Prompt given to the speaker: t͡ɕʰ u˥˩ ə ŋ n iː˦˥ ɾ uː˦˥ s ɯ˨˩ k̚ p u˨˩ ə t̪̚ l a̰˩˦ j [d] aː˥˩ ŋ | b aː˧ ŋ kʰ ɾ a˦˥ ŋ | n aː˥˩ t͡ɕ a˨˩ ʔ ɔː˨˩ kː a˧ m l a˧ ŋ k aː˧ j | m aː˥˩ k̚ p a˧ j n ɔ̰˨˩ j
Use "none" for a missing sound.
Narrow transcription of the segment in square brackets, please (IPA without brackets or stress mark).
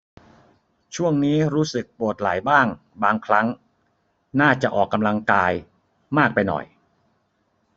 b